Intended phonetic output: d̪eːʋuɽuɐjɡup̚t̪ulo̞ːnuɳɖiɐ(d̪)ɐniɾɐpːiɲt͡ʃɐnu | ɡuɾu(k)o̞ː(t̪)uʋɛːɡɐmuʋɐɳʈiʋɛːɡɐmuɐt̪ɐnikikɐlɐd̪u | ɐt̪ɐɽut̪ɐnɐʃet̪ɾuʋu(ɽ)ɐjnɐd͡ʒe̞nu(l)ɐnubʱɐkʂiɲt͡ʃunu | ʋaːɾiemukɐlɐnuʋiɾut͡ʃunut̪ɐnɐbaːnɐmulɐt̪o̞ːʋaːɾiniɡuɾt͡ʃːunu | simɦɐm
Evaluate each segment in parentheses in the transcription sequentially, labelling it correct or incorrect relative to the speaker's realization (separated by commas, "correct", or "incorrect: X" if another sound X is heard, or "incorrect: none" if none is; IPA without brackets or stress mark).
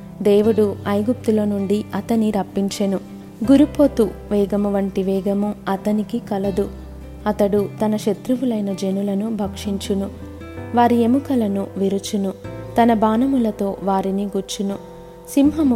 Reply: incorrect: t̪, incorrect: p, correct, incorrect: l, correct